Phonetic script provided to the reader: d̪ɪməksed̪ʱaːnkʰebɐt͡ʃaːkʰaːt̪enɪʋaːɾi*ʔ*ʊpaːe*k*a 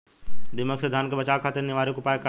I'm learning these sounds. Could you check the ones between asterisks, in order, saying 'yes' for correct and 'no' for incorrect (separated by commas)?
no, yes